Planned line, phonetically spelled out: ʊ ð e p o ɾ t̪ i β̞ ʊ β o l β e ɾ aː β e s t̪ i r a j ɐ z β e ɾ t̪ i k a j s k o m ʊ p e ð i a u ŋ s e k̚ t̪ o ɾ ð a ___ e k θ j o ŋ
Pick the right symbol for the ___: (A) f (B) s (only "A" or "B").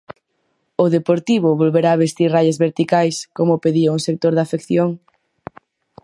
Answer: A